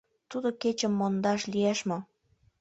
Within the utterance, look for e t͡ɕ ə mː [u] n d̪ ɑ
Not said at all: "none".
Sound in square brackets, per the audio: o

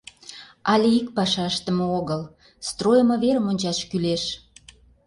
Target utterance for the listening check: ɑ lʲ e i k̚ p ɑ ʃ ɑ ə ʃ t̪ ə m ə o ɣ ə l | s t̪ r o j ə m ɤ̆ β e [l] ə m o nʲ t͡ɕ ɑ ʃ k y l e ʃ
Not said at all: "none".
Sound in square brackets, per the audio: ɾ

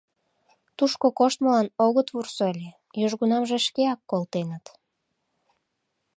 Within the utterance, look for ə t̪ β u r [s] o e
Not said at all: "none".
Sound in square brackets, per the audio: s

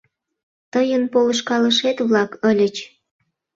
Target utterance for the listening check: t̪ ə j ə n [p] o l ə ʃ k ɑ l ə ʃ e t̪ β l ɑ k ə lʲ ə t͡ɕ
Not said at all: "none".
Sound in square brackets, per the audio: p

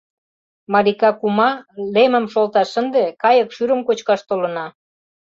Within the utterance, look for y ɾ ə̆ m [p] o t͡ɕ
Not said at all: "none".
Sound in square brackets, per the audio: k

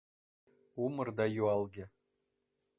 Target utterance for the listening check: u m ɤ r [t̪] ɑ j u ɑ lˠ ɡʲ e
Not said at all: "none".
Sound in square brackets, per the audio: d̪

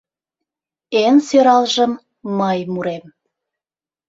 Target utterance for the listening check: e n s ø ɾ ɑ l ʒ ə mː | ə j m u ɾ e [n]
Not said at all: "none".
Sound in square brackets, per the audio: m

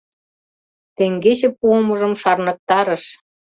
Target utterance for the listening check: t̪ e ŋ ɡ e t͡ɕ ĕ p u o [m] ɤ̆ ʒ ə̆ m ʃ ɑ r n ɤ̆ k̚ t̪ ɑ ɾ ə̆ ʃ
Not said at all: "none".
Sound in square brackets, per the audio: m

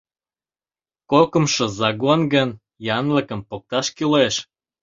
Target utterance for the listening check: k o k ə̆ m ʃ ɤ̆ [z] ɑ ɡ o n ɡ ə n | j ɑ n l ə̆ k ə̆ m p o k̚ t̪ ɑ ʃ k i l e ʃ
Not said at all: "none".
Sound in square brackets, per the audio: z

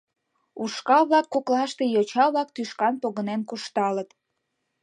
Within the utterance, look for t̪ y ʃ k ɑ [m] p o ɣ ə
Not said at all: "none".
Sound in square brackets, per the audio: n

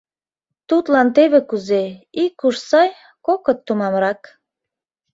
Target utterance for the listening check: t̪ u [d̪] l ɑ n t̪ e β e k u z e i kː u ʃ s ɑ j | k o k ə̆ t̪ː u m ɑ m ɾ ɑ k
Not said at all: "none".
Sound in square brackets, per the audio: t̪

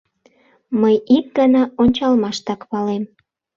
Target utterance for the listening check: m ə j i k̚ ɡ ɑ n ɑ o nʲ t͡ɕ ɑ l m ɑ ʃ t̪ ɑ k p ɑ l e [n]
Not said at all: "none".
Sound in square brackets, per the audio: m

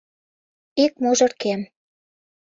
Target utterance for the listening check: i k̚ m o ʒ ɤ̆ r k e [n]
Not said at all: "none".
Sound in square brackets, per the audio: m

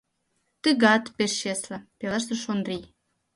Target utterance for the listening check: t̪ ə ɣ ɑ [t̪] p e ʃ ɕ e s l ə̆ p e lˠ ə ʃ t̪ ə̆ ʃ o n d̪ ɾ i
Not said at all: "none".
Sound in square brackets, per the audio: t̪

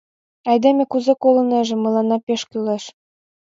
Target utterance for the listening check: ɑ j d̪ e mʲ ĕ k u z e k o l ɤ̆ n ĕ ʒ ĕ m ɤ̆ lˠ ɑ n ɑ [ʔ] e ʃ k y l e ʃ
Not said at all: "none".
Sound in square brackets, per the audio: p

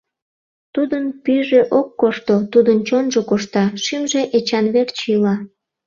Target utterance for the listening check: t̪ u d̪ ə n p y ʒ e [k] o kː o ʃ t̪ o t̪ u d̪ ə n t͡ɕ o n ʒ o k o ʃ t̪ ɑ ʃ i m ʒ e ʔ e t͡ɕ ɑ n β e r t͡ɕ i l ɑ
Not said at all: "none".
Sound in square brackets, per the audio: ʔ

